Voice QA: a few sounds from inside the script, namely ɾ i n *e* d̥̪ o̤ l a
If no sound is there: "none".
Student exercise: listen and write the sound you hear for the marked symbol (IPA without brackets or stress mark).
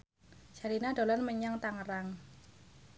a